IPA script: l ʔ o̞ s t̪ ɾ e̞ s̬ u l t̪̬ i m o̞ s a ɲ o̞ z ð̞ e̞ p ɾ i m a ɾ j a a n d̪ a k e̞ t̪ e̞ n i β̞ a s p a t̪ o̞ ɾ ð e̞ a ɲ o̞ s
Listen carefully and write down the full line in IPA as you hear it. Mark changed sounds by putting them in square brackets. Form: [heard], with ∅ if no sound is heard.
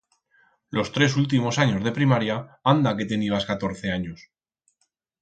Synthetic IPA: l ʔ o̞ s t̪ ɾ e̞ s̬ u l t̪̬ i m o̞ s a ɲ o̞ z ð̞ e̞ p ɾ i m a ɾ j a a n d̪ a k e̞ t̪ e̞ n i β̞ a s [k] a t̪ o̞ ɾ [θ] e̞ a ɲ o̞ s

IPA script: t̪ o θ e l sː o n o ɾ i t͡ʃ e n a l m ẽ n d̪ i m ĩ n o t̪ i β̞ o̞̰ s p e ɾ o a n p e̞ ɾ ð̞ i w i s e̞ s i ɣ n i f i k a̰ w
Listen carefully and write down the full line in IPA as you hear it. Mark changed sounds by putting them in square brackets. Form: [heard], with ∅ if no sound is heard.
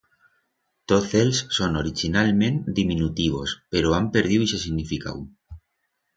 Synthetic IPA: t̪ o θ e l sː o n o ɾ i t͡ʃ [i] n a l m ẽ n d̪ i m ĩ n [u] t̪ i β̞ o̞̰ s p e ɾ o a [m] p e̞ ɾ ð̞ i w i s e̞ s i ɣ n i f i k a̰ w

